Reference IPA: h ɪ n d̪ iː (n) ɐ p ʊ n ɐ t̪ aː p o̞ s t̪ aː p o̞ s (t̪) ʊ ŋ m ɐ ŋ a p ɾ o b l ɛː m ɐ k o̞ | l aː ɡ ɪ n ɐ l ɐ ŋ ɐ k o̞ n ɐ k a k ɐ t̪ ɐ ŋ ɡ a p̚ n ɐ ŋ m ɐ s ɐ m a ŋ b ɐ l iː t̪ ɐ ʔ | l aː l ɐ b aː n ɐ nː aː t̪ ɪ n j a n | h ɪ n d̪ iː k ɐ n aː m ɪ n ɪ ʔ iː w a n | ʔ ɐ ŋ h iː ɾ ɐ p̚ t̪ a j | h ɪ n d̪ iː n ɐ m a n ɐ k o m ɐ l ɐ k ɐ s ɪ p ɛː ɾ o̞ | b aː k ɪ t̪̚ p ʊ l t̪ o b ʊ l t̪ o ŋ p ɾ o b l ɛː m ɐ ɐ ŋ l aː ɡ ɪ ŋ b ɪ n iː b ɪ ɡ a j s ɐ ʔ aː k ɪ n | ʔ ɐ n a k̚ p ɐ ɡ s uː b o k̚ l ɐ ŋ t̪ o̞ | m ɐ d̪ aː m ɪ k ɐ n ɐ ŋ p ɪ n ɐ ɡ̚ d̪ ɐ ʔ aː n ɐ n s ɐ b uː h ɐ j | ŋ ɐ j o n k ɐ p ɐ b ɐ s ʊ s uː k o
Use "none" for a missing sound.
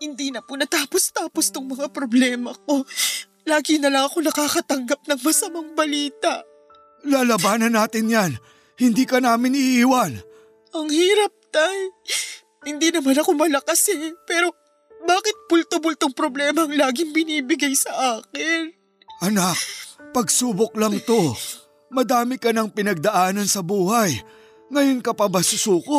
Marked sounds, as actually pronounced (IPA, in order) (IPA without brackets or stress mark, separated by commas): n, t̪